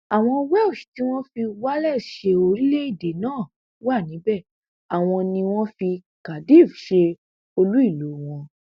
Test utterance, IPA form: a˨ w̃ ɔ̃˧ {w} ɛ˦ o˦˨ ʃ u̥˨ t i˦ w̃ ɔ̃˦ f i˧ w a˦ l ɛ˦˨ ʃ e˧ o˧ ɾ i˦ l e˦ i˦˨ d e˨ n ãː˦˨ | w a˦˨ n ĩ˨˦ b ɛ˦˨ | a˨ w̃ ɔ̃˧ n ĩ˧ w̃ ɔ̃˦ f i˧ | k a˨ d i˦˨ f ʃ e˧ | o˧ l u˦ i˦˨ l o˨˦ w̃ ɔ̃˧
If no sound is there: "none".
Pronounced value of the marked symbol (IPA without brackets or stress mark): w